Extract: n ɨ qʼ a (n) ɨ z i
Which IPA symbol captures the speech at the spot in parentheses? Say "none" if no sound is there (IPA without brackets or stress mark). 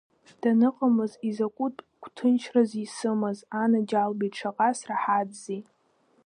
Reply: m